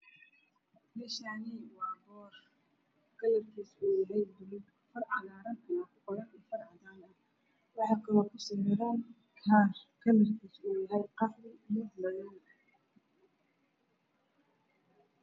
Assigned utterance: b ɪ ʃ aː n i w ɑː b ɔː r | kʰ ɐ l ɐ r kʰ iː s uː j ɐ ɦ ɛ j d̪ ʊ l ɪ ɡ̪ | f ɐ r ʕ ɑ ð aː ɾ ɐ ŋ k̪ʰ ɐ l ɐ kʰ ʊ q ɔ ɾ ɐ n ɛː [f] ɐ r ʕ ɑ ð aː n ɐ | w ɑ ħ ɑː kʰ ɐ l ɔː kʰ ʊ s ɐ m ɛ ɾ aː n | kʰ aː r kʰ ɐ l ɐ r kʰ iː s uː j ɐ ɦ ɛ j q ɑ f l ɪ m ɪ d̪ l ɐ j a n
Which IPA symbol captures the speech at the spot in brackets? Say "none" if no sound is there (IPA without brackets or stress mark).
f